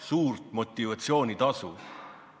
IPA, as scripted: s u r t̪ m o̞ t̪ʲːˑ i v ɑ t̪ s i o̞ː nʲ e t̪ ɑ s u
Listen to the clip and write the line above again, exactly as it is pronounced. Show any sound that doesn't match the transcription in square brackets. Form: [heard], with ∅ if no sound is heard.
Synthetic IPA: s [uː] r t̪ m o̞ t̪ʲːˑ i v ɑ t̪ s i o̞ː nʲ [i] t̪ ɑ s u